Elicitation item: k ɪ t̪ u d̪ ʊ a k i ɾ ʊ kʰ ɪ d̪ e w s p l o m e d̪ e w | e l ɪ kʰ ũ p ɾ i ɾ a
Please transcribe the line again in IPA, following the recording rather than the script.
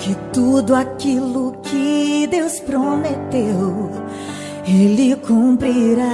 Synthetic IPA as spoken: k ɪ t̪ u d̪ ʊ a k i l ʊ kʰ ɪ d̪ e w s p ɾ o m e t̪ e w | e l ɪ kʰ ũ p ɾ i ɾ a